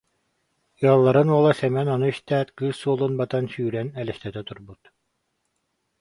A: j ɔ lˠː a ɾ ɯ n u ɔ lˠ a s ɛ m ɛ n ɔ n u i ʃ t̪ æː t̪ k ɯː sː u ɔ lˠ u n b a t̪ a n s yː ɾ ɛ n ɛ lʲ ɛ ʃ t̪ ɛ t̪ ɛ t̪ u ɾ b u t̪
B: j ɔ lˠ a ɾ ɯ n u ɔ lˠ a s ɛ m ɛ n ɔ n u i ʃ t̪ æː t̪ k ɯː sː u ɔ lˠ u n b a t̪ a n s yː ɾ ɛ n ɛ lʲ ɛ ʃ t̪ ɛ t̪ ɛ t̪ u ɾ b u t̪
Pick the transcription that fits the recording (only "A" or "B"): A